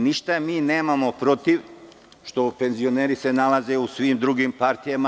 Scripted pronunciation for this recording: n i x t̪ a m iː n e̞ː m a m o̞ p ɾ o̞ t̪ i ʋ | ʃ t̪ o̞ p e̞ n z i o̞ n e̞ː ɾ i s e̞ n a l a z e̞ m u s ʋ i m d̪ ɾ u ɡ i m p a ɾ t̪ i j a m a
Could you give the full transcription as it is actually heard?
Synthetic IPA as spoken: n i ʃ t̪ a m iː n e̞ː m a m o̞ p ɾ o̞ t̪ i ʋ | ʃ t̪ o̞ p e̞ n z i o̞ n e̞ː ɾ i s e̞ n a l a z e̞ u s ʋ i m d̪ ɾ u ɡ i m p a ɾ t̪ i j a m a

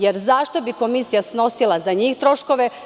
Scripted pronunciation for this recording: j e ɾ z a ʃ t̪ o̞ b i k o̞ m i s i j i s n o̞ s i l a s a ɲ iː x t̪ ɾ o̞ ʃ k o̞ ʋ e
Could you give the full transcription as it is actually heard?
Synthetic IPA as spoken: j e ɾ z a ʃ t̪ o̞ b i k o̞ m i s i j a s n o̞ s i l a z a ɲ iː x t̪ ɾ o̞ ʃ k o̞ ʋ e

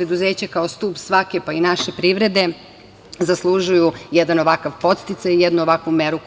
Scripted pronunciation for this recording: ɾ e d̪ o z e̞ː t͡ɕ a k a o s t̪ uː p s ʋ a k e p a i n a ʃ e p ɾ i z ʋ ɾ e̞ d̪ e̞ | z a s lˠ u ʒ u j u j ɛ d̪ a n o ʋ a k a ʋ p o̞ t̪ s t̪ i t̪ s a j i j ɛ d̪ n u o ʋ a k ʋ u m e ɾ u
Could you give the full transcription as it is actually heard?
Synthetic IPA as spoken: ɾ e d̪ u z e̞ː t͡ɕ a k a o s t̪ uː p s ʋ a k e p a i n a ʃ e p ɾ i ʋ ɾ e̞ d̪ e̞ | z a s lˠ u ʒ u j u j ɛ d̪ a n o ʋ a k a ʋ p o̞ t̪ s t̪ i t̪ s a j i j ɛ d̪ n u o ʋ a k ʋ u m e ɾ u

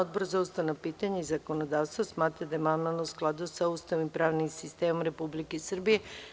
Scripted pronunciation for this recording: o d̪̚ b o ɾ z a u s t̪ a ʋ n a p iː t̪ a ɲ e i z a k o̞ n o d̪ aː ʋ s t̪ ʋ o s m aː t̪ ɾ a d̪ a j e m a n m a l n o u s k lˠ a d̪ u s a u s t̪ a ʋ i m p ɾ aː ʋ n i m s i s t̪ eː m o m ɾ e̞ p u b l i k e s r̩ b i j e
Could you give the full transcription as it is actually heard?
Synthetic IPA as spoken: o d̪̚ b o ɾ z a u s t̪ a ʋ n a p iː t̪ a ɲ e i z a k o̞ n o d̪ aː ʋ s t̪ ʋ o s m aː t̪ ɾ a d̪ a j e m a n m a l n o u s k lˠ a d̪ u s a u s t̪ a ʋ i m p ɾ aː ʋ n i m s i s t̪ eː m o m ɾ e̞ p u b l i k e s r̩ b i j e

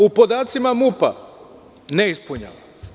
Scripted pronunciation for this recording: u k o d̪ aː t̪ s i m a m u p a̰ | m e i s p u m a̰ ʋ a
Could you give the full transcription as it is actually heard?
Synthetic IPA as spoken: u p o d̪ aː t̪ s i m a m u p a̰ | n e i s p u ɲ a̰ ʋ a

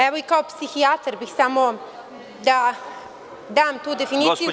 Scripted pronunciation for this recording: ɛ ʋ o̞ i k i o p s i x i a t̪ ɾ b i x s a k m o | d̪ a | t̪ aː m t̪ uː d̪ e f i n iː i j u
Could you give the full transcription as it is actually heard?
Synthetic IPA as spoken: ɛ ʋ o̞ i k a o p s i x i a t̪ ɾ b i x s a m o | d̪ a | d̪ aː m t̪ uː d̪ e f i n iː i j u

